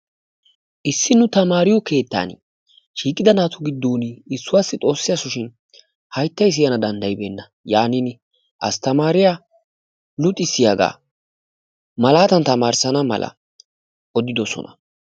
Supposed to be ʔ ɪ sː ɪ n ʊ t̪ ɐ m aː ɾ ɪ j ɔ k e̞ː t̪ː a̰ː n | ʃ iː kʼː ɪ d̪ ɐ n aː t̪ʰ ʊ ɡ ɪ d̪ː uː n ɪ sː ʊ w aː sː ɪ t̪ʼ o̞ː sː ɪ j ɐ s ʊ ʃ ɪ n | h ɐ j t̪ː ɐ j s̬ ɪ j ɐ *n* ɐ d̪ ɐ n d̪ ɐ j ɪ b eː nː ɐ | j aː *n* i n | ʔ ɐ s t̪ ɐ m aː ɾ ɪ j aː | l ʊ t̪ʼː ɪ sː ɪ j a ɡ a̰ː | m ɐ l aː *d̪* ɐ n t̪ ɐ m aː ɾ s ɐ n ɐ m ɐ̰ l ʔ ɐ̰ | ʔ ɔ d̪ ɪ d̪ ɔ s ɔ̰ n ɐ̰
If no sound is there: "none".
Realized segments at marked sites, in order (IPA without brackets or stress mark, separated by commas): n, n, t̪